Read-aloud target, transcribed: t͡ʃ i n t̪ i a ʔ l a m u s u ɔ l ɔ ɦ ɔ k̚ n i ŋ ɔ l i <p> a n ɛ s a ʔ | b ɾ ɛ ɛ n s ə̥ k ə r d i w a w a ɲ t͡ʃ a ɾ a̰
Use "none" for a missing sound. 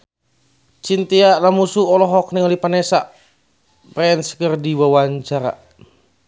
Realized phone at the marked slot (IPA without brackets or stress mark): p